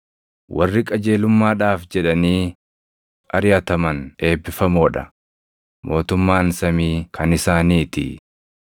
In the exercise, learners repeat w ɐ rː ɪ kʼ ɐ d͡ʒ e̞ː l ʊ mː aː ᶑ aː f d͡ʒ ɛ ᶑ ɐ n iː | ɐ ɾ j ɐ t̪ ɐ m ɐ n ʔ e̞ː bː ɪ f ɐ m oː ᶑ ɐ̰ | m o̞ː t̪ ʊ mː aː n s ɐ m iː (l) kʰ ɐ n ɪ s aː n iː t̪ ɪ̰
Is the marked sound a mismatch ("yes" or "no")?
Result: yes